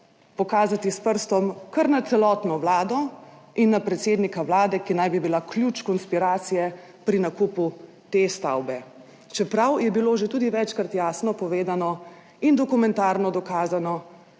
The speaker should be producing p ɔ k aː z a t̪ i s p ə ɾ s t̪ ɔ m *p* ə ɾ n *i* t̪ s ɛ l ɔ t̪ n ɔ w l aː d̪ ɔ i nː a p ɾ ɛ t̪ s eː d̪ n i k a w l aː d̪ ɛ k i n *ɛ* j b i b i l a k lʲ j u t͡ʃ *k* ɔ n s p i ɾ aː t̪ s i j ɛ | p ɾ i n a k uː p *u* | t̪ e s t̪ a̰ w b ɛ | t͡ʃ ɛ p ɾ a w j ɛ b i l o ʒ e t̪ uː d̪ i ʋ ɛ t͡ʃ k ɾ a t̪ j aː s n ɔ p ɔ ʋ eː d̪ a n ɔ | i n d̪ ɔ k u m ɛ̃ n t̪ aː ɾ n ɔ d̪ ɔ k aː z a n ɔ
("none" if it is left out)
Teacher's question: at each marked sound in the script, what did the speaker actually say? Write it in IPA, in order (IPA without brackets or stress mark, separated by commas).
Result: k, a, a, k, u